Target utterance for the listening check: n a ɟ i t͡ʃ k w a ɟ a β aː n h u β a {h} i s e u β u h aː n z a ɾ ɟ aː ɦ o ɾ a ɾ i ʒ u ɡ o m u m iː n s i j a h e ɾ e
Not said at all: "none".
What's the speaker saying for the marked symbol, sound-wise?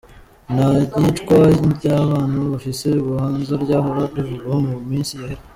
f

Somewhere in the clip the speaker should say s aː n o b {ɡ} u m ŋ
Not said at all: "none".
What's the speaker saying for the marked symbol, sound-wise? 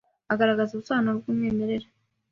ɡ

